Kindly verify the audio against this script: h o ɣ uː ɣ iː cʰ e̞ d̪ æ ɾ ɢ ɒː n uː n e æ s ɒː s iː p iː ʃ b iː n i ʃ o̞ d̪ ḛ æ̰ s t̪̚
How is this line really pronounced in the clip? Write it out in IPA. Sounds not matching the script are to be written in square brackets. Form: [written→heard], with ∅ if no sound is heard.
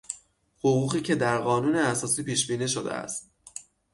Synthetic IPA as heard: h o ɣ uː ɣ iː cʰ e̞ d̪ æ ɾ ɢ ɒː n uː n e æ s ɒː s iː p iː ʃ b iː n i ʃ o̞ d̪ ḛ æ̰ s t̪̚